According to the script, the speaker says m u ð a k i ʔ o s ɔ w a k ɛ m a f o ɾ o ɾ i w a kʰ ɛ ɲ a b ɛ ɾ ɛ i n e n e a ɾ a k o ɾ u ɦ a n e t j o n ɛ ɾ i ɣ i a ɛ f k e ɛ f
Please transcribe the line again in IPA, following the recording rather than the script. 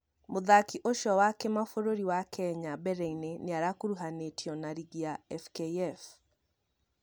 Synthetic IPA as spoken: m o ð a k i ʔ o ʃ ɔ w a k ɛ m a f o ɾ o ɾ i w a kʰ ɛ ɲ a b ɛ ɾ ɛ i n e n e a ɾ a k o ɾ u ɦ a n e t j ɔ n a ɾ i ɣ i a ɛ f k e ɛ f